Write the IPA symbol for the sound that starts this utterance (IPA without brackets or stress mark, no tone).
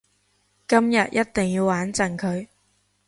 k